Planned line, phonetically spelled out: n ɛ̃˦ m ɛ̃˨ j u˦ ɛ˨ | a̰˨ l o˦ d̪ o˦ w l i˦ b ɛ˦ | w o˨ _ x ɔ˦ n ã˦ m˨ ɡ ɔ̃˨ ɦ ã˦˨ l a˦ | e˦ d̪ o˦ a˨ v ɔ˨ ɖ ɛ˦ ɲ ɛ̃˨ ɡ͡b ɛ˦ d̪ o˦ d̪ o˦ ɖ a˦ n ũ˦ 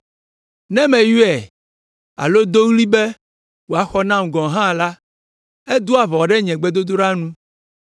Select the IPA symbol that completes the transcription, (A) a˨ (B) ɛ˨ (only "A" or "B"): A